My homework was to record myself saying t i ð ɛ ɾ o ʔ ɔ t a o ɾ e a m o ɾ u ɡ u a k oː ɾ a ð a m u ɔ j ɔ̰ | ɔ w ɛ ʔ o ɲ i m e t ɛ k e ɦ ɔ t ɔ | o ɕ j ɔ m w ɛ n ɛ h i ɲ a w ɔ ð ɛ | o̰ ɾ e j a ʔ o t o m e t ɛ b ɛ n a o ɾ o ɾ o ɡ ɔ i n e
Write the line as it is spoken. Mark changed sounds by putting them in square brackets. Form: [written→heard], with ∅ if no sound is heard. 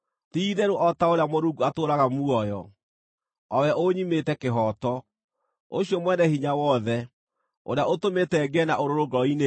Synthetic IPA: t i ð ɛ ɾ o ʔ ɔ t a o ɾ e a m o ɾ u ɡ u a [k→t] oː ɾ a [ð→ɣ] a m u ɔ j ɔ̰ | ɔ w ɛ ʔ o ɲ i m e t ɛ k e ɦ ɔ t ɔ | o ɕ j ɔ m w ɛ n ɛ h i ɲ a w ɔ ð ɛ | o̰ ɾ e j a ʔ o t o m e t ɛ [b→ɡ] ɛ n a o ɾ o ɾ o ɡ ɔ i n e